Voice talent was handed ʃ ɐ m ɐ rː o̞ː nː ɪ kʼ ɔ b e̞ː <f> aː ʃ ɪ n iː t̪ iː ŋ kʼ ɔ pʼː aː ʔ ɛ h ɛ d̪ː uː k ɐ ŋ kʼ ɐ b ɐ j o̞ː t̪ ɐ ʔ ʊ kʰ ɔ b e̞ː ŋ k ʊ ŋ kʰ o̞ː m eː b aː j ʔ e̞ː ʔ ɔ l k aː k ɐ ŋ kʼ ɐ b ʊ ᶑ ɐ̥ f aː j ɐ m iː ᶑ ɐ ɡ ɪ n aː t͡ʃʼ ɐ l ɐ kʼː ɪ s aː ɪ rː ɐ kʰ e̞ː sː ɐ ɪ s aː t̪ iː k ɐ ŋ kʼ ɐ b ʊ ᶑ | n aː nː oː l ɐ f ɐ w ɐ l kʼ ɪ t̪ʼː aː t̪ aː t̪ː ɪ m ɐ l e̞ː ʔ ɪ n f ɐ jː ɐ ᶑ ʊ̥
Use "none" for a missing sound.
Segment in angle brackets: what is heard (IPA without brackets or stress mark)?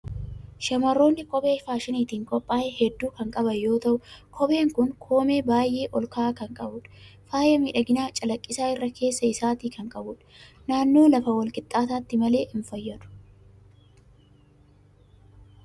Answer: f